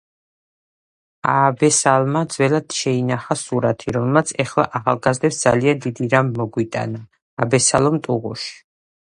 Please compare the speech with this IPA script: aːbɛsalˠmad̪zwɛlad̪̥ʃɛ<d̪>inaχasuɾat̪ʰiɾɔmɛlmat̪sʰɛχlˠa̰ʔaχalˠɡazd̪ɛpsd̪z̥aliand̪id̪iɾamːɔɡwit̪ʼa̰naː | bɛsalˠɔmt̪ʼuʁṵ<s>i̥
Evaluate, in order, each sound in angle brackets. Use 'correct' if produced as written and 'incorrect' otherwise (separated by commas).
incorrect, incorrect